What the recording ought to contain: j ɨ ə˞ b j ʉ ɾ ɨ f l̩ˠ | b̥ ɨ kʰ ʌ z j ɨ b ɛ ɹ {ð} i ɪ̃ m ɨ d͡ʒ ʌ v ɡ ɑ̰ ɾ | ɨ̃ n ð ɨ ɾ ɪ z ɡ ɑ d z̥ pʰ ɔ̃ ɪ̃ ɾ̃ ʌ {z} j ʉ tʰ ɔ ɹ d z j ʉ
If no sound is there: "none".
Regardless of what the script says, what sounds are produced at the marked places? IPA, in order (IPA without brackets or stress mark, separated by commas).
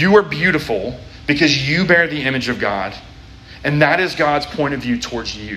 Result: ð, v